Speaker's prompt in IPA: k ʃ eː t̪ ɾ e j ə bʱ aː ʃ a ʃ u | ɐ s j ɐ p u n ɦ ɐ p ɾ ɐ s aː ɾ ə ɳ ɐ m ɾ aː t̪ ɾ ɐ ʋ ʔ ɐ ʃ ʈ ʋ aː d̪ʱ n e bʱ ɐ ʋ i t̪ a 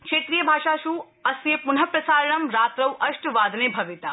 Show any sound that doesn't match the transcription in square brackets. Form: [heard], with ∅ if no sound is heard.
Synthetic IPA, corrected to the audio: k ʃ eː t̪ ɾ [i] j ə bʱ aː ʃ a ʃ u | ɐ s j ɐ p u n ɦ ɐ p ɾ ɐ s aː ɾ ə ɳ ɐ m ɾ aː t̪ ɾ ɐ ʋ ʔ ɐ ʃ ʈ ʋ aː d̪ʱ n e bʱ ɐ ʋ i t̪ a

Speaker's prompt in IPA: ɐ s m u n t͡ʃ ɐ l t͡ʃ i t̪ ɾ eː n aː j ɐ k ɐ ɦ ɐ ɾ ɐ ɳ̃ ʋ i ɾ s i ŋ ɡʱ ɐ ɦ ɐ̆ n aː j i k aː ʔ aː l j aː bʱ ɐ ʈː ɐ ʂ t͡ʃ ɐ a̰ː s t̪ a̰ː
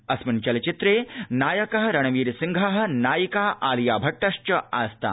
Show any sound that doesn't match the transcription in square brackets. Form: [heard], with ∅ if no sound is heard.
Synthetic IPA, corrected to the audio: ɐ s m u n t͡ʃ ɐ l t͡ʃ i t̪ ɾ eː n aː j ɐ k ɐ ɦ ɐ ɾ ɐ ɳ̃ ʋ [iː] ɾ s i ŋ ɡʱ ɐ ɦ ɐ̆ n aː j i k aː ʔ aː l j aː bʱ ɐ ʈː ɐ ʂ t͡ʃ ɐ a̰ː s t̪ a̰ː

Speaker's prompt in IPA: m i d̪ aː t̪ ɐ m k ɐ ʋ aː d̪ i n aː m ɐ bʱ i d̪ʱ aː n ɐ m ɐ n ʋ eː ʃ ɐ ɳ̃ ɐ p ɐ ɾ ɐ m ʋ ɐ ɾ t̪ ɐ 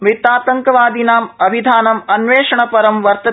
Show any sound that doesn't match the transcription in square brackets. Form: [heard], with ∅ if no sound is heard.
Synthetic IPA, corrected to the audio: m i [t̪] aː t̪ ɐ [ŋ] k ɐ ʋ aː d̪ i n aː m ɐ bʱ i d̪ʱ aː n ɐ m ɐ n ʋ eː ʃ ɐ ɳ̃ ɐ p ɐ ɾ ɐ m ʋ ɐ ɾ t̪ ɐ

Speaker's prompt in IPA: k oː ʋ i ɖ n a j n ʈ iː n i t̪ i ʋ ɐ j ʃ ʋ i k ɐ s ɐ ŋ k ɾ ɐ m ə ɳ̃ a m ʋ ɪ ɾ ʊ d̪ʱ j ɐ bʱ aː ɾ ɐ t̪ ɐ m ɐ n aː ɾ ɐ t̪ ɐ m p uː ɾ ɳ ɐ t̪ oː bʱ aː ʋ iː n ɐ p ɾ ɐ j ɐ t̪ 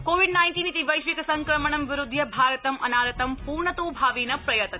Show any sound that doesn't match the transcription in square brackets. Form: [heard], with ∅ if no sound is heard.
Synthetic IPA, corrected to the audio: k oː ʋ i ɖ n a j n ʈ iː n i t̪ i ʋ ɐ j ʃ ʋ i k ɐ s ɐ ŋ k ɾ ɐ m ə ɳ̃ [ɐ] m ʋ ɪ ɾ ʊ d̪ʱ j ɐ bʱ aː ɾ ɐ t̪ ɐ m ɐ n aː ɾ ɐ t̪ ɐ m p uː ɾ ɳ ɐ t̪ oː bʱ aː ʋ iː n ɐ p ɾ ɐ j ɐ t̪

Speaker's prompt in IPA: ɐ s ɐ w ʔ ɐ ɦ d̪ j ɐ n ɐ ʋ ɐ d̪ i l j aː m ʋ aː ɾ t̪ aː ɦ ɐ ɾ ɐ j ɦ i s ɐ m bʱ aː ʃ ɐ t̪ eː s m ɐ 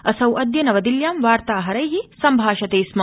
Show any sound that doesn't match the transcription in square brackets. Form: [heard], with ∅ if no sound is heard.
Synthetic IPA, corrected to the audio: ɐ s ɐ w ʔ ɐ [∅] d̪ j ɐ n ɐ ʋ ɐ d̪ i l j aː m ʋ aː ɾ t̪ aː ɦ ɐ ɾ ɐ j ɦ i s ɐ m bʱ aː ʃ ɐ t̪ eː s m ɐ

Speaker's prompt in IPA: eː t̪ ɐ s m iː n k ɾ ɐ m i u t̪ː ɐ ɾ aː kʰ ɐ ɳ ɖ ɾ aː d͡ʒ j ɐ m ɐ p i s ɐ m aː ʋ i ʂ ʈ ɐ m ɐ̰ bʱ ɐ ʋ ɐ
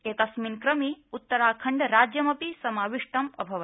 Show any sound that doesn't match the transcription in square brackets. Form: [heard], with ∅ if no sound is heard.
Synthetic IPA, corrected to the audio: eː t̪ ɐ s m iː n k ɾ ɐ m i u t̪ː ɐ ɾ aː kʰ ɐ ɳ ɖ ɾ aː d͡ʒ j ɐ m ɐ p i s ɐ m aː ʋ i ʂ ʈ ɐ m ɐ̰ bʱ ɐ ʋ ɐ

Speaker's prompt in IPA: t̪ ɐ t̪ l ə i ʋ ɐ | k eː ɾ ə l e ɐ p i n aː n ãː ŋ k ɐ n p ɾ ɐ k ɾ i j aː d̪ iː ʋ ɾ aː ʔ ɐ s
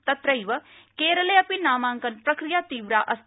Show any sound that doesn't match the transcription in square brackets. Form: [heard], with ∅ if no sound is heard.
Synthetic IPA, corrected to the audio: t̪ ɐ t̪ [ɾ] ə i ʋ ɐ | k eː ɾ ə l e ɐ p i n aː [m] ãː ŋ k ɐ n p ɾ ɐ k ɾ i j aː [t̪] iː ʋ ɾ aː ʔ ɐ s

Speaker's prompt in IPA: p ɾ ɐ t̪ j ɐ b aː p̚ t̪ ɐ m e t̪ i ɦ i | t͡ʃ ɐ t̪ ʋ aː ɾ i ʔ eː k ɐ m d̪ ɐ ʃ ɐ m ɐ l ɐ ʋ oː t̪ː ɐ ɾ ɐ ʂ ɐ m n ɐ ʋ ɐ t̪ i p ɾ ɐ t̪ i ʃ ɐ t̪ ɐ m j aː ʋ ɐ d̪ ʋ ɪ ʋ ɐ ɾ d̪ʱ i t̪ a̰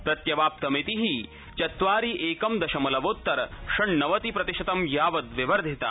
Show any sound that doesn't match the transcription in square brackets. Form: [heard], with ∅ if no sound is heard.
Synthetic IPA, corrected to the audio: p ɾ ɐ t̪ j ɐ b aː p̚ t̪ ɐ m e t̪ i ɦ i | t͡ʃ ɐ t̪ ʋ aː ɾ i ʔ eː k ɐ m d̪ ɐ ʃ ɐ m ɐ l ɐ ʋ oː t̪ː ɐ ɾ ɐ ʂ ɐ [ɳ] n ɐ ʋ ɐ t̪ i p ɾ ɐ t̪ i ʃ ɐ t̪ ɐ m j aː ʋ ɐ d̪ ʋ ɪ ʋ ɐ ɾ d̪ʱ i t̪ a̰

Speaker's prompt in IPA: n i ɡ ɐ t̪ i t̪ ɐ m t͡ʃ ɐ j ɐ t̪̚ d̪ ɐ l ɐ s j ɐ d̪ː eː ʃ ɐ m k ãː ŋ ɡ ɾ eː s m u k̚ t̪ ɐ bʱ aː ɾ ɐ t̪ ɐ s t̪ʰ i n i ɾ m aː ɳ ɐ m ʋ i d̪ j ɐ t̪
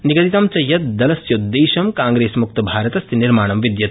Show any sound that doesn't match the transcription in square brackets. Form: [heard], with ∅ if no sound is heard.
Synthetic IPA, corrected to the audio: n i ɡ ɐ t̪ i t̪ ɐ m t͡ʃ ɐ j ɐ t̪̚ d̪ ɐ l ɐ s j ɐ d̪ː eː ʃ ɐ m k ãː ŋ ɡ ɾ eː s m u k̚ t̪ ɐ bʱ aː ɾ ɐ t̪ ɐ s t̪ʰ i n i ɾ m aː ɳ ɐ m ʋ i d̪ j ɐ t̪

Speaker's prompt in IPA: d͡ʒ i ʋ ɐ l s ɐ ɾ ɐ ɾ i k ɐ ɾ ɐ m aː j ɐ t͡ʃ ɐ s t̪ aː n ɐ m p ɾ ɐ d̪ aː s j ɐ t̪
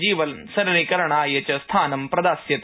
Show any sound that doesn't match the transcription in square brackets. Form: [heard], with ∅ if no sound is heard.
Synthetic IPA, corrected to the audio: d͡ʒ [iː] ʋ ɐ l s ɐ ɾ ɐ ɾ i k ɐ ɾ ɐ [ɳ] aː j ɐ t͡ʃ ɐ s [t̪ʰ] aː n ɐ m p ɾ ɐ d̪ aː s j ɐ t̪

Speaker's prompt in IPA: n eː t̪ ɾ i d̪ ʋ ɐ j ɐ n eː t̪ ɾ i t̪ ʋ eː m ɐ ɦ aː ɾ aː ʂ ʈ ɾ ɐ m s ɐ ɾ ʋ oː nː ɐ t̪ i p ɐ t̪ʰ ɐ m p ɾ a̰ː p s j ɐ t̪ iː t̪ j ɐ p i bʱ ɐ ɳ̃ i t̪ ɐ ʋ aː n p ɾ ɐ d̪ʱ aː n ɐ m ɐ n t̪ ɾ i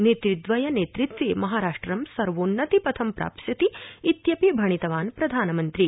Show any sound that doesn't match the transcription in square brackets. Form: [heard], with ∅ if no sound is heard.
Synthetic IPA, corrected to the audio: n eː t̪ ɾ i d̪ ʋ ɐ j ɐ n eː t̪ ɾ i t̪ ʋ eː m ɐ ɦ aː ɾ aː ʂ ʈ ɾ ɐ m s ɐ ɾ ʋ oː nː ɐ t̪ i p ɐ t̪ʰ ɐ m p ɾ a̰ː p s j ɐ t̪ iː t̪ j ɐ p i bʱ ɐ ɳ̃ i t̪ ɐ ʋ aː n p ɾ ɐ d̪ʱ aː n ɐ m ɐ n t̪ ɾ i

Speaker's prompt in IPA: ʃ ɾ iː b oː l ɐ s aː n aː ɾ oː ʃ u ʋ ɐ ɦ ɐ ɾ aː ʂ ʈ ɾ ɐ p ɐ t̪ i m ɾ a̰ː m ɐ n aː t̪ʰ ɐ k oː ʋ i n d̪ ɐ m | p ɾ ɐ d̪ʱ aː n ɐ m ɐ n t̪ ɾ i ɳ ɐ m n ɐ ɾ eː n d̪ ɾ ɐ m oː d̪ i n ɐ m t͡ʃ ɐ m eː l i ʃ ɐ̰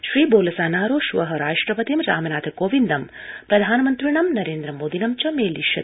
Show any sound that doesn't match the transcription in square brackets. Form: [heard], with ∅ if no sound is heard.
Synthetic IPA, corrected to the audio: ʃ ɾ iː b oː l ɐ s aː n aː ɾ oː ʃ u ʋ ɐ ɦ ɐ ɾ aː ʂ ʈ ɾ ɐ p ɐ t̪ i m ɾ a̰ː m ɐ n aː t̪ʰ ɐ k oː ʋ i n d̪ ɐ m | p ɾ ɐ d̪ʱ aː n ɐ m ɐ n t̪ ɾ i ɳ ɐ m n ɐ ɾ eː n d̪ ɾ ɐ m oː d̪ i n ɐ m t͡ʃ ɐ m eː l i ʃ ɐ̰

